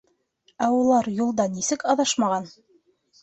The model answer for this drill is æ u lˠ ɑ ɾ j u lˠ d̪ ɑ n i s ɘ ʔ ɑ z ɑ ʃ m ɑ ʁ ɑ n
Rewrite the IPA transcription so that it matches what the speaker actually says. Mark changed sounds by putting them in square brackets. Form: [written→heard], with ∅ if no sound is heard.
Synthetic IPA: æ u lˠ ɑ ɾ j u lˠ d̪ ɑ n i s ɘ [ʔ→k] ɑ [z→ð] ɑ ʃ m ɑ ʁ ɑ n